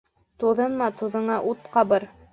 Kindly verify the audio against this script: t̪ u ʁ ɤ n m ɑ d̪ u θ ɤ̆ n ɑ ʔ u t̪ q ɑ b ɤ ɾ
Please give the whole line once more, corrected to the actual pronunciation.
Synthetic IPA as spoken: t̪ u ð ɤ n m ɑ t̪ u ð ɤ̆ ɴ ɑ ʔ u t̪ q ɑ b ɤ ɾ